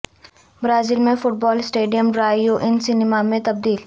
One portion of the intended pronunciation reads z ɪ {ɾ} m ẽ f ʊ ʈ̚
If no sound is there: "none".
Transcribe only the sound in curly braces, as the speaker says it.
l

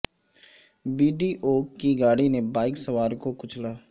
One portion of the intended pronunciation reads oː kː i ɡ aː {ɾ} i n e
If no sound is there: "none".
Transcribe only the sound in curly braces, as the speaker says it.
ɽ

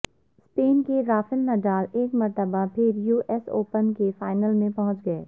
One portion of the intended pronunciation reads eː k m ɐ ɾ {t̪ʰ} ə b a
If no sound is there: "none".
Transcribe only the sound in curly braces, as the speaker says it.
t̪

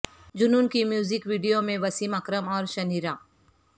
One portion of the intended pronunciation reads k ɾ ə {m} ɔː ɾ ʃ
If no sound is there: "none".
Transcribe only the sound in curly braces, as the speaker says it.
m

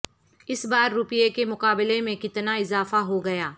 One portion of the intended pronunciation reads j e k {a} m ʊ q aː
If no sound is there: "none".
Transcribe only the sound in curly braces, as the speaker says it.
e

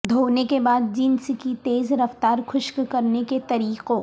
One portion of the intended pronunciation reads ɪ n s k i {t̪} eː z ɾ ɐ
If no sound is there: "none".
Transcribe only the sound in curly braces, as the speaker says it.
t̪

